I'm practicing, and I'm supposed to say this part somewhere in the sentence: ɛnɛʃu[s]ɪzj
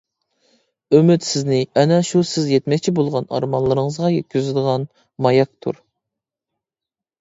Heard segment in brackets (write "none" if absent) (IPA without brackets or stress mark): s